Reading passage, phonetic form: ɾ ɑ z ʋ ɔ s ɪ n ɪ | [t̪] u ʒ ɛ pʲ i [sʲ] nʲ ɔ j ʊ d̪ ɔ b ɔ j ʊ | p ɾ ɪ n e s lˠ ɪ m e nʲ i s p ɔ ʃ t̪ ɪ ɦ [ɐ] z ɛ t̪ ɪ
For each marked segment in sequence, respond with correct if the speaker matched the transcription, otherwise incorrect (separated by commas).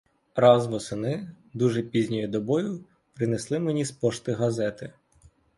incorrect, incorrect, correct